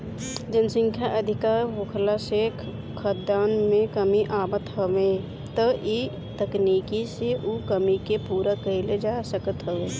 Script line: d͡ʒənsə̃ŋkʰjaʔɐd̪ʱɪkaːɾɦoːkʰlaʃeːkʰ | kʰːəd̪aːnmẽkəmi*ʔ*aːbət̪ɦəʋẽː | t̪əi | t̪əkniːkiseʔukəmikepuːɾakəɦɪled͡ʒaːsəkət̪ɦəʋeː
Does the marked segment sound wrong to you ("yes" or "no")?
no